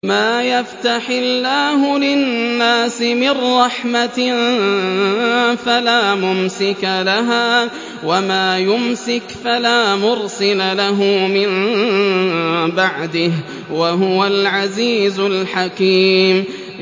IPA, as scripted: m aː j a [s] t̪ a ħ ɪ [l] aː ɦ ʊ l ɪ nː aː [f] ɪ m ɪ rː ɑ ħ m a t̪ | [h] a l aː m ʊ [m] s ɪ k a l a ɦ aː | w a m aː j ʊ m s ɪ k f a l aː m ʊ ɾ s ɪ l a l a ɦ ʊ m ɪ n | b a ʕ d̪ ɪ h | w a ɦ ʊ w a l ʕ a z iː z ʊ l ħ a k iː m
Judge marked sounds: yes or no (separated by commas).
no, no, no, no, yes